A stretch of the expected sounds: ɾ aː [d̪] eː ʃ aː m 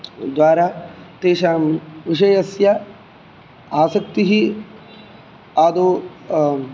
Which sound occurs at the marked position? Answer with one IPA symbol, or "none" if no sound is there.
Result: t̪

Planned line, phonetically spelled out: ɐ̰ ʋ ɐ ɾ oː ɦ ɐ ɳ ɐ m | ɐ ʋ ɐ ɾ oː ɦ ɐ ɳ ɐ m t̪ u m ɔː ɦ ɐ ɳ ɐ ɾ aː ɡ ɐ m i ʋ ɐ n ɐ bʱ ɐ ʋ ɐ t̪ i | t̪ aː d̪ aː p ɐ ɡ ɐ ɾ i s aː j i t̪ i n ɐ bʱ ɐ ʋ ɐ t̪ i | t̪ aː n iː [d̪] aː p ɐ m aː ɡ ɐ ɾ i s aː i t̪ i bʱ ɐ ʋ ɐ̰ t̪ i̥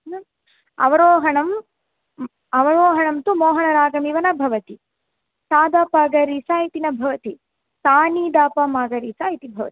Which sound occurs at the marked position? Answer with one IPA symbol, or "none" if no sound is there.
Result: d̪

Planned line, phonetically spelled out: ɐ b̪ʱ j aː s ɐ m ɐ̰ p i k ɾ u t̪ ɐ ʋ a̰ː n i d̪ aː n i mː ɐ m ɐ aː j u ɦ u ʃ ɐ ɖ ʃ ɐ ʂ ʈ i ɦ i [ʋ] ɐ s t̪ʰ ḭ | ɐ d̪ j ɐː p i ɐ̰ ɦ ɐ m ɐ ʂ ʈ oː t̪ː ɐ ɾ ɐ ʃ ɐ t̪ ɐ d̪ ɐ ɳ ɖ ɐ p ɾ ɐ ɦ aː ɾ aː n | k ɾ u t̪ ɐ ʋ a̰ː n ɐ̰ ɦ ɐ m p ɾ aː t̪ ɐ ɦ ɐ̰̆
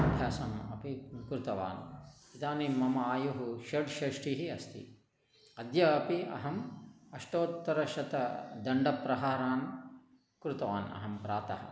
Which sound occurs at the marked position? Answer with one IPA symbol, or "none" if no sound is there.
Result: none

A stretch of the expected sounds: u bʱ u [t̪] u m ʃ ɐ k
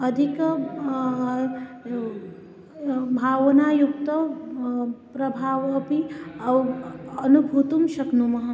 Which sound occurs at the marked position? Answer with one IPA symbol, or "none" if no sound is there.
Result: t̪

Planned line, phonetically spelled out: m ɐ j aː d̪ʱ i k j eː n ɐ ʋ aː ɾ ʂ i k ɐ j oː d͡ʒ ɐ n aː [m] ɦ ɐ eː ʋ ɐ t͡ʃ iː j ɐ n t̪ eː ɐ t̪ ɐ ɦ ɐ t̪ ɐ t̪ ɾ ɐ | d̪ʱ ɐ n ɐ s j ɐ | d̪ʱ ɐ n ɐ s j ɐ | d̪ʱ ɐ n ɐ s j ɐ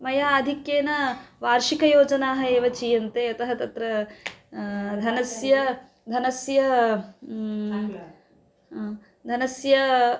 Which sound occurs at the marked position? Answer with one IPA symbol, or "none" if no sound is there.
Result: none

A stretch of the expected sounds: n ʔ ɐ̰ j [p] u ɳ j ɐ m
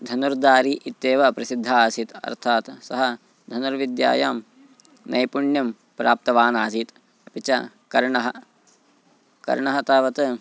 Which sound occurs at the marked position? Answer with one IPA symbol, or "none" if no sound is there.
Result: p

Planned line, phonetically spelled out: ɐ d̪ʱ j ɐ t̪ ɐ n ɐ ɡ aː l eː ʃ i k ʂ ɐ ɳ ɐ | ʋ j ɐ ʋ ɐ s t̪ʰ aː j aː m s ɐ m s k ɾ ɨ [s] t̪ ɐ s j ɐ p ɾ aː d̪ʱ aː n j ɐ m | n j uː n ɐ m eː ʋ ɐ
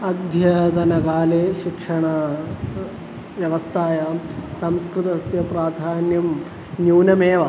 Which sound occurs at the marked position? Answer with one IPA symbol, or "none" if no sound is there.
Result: none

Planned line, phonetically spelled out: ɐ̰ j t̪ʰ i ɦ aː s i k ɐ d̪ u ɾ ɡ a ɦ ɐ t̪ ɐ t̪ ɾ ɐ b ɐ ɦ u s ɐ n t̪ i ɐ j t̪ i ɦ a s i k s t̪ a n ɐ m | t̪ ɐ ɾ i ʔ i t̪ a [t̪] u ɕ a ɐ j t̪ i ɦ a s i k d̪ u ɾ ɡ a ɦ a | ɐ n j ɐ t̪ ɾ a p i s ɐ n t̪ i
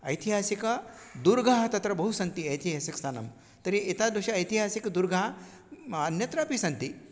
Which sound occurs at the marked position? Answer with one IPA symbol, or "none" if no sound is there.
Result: d̪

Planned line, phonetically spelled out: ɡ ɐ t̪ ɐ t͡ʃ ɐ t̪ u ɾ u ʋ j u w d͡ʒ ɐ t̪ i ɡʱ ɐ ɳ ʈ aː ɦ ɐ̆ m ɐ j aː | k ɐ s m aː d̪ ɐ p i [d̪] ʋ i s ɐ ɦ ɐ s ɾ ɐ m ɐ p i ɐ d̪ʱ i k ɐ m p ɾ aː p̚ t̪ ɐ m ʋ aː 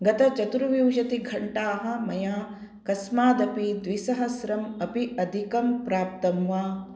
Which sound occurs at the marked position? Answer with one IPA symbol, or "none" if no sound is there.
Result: d̪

